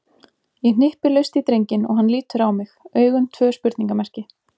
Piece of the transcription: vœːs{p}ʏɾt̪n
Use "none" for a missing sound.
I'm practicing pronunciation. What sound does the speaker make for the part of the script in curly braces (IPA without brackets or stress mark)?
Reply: p